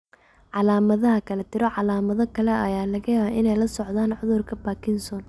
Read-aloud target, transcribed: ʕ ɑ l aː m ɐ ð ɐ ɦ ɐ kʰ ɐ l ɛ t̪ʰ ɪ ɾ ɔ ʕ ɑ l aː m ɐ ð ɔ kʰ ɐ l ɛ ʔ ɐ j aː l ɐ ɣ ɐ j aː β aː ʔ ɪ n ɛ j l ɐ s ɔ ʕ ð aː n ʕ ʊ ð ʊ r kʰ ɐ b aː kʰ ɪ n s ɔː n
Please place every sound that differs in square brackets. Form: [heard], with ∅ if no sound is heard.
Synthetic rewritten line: ʕ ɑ l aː m ɐ ð ɐ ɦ ɐ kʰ ɐ l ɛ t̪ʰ ɪ ɾ ɔ ʕ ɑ l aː m ɐ ð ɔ kʰ ɐ l ɛ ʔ ɐ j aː l ɐ ɣ ɐ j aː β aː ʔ ɪ n ɛ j l ɐ s ɔ ʕ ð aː n ʕ ʊ ð ʊ r kʰ ɐ b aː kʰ ɪ n s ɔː n